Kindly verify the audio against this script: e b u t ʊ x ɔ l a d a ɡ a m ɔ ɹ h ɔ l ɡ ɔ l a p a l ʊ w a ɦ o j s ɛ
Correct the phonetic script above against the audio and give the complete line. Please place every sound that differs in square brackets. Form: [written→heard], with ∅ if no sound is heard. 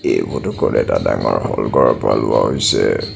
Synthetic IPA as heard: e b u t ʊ [x→k] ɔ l [a→ɛ] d a [ɡ→d] a [m→ŋ] ɔ ɹ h ɔ l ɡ ɔ [l→ɹ] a p a l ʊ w a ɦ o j s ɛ